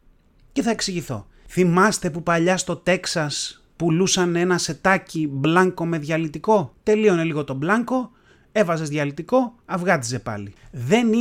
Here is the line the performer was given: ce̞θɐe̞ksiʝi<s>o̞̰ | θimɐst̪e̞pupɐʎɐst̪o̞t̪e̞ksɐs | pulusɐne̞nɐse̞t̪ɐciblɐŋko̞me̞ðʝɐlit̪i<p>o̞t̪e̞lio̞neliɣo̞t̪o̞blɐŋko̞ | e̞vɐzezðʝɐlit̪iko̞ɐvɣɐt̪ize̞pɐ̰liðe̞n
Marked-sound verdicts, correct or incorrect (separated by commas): incorrect, incorrect